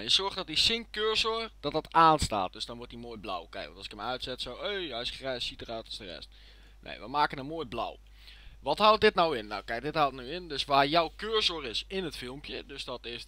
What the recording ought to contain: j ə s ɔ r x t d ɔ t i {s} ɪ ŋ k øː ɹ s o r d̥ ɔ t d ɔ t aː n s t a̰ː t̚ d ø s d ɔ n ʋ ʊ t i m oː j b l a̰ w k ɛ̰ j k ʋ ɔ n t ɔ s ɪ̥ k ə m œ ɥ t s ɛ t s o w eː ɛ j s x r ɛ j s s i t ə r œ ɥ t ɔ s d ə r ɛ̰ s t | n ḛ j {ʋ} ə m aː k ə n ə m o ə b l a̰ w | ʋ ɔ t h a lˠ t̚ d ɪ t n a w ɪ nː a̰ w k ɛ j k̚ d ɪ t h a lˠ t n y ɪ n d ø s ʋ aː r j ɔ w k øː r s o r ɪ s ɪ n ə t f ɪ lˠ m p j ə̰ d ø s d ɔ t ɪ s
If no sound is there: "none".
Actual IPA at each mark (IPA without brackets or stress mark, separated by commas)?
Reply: s, ʋ